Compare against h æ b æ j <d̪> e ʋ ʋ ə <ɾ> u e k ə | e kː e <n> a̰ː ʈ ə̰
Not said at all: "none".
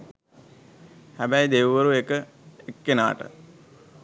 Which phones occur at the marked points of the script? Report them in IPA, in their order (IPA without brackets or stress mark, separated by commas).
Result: d̪, ɾ, n